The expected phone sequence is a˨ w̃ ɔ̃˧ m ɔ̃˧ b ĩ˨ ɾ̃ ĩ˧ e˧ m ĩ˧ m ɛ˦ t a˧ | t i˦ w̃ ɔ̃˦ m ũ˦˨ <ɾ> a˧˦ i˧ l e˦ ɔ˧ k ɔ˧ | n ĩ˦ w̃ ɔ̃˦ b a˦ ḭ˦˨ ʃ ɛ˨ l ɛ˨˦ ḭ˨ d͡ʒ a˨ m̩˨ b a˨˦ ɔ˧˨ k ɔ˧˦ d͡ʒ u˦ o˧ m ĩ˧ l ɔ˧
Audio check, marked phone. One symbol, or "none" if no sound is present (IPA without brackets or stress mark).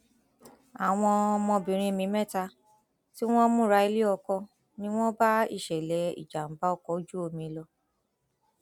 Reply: ɾ